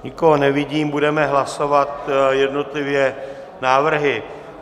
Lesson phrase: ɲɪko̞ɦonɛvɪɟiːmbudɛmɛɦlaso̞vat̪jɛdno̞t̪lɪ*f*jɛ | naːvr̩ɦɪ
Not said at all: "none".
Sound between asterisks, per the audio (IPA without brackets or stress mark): v